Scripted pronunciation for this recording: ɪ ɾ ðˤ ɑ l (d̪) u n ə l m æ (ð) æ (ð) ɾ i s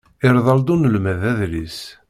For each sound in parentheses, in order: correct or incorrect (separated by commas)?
correct, correct, correct